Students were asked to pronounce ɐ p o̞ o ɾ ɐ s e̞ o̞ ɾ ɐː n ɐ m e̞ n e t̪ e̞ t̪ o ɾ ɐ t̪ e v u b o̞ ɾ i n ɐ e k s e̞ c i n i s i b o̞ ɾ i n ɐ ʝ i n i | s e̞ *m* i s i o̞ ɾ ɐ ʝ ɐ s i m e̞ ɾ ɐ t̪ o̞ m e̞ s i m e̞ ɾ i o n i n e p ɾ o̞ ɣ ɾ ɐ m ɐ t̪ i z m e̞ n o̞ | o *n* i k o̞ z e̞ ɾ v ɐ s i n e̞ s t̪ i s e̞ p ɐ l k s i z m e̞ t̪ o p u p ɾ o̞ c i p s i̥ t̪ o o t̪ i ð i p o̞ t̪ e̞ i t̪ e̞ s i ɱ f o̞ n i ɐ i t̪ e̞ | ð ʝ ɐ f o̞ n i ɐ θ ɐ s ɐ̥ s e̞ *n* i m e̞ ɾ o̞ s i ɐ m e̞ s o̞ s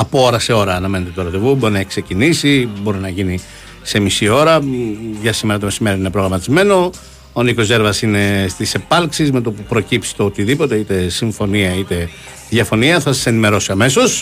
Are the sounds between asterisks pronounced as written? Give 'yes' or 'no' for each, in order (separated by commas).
yes, yes, yes